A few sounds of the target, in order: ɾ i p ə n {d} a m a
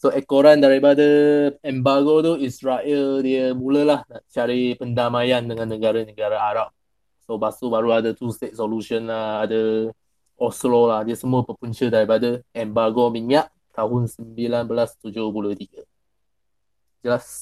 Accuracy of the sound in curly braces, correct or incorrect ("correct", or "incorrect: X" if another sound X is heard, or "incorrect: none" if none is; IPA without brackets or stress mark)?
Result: correct